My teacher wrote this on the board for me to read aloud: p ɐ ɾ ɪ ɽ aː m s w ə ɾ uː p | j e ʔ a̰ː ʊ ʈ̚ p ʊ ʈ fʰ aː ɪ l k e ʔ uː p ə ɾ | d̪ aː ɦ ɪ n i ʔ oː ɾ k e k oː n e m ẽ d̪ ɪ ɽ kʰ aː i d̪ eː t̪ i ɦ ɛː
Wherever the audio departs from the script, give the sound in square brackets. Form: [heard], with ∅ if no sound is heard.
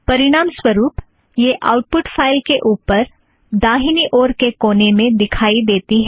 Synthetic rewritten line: p ɐ ɾ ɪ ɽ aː m s w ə ɾ uː p | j e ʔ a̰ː ʊ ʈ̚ p ʊ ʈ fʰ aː ɪ l k e ʔ uː p ə ɾ | d̪ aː ɦ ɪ n i ʔ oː ɾ k e k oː n e m ẽ d̪ ɪ [∅] kʰ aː i d̪ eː t̪ i ɦ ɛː